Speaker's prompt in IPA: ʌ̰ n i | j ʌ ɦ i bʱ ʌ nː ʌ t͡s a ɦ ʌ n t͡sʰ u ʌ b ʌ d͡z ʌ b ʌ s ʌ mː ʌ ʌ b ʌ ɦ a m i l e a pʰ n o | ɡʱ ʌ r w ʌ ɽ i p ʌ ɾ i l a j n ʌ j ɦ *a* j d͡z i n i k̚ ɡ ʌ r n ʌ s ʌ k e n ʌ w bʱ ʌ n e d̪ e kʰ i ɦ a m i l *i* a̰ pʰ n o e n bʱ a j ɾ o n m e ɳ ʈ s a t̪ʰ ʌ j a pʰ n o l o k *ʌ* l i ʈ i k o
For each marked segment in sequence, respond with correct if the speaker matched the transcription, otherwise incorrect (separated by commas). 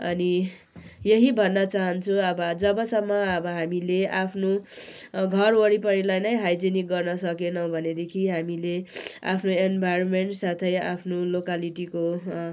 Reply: correct, incorrect, incorrect